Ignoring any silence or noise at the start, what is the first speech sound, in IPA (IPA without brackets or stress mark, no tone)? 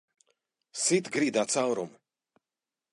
s